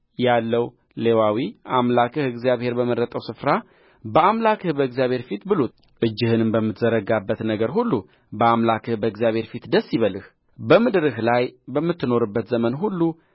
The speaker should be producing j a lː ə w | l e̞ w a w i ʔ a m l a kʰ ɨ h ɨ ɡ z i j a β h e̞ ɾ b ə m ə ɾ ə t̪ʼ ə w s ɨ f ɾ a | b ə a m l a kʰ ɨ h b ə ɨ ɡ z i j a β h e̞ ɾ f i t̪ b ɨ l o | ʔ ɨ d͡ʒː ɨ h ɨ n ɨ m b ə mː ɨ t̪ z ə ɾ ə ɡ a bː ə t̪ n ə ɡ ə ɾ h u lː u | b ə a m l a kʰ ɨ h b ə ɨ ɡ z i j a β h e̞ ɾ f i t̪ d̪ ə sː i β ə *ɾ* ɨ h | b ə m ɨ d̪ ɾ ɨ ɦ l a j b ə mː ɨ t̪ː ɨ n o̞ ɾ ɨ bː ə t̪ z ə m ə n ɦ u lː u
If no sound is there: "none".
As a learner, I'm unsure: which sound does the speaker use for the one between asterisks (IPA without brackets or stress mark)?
l